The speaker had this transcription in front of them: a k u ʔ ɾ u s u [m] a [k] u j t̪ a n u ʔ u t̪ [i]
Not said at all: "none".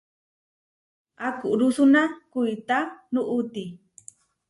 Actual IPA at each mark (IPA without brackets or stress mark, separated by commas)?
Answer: n, k, i